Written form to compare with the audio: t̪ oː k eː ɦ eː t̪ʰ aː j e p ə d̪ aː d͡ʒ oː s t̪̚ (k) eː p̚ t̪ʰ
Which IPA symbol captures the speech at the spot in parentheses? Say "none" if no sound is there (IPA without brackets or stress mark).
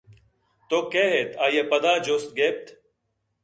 ɡ